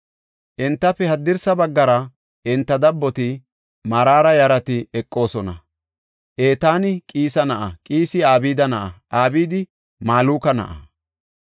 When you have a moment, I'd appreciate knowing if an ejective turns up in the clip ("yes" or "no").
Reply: yes